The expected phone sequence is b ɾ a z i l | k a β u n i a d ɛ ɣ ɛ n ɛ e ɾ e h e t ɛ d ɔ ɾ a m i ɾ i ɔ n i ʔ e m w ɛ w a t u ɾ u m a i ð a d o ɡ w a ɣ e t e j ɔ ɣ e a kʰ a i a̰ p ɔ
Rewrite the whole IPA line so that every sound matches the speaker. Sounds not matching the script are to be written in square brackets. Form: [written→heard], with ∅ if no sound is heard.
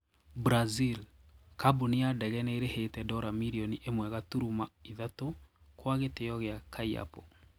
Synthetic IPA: b ɾ a z i l | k a [β→b] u n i a d ɛ ɣ ɛ n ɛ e ɾ e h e t ɛ d ɔ ɾ a m i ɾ i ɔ n i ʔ e m w ɛ [w→ɣ] a t u ɾ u m a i ð a [d→t] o [ɡ→k] w a ɣ e t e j ɔ ɣ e a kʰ a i a̰ p ɔ